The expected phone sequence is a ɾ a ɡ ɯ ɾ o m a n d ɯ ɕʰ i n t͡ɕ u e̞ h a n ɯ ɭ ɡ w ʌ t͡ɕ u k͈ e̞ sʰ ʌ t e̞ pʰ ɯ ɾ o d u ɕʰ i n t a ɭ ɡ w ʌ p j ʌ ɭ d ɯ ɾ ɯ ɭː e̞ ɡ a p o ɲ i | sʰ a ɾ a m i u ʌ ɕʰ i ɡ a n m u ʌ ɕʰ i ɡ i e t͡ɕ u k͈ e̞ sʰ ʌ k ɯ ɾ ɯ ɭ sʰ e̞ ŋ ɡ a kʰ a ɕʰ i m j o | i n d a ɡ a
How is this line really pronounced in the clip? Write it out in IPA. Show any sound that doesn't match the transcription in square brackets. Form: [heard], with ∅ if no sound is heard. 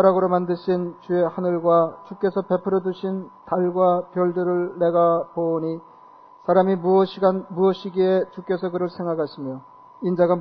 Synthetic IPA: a ɾ a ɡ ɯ ɾ o m a n d ɯ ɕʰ i n t͡ɕ u e̞ h a n ɯ ɭ ɡ w [a] t͡ɕ u k͈ e̞ sʰ ʌ [p] e̞ pʰ ɯ ɾ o d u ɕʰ i n t a ɭ ɡ w [a] p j ʌ ɭ d ɯ ɾ ɯ ɭː e̞ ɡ a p o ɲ i | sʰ a ɾ a m i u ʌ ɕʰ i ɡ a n m u ʌ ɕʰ i ɡ i e t͡ɕ u k͈ e̞ sʰ ʌ k ɯ ɾ ɯ ɭ sʰ e̞ ŋ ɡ a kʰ a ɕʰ i m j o | i n [d͡ʑ] a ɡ a